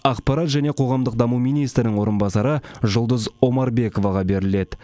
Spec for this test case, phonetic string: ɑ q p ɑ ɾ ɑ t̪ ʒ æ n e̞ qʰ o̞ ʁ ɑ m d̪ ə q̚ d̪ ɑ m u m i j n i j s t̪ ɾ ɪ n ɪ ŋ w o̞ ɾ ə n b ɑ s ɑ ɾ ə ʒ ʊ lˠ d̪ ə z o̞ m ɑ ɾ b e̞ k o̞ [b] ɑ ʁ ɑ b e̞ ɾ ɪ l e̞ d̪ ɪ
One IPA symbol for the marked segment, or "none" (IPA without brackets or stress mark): v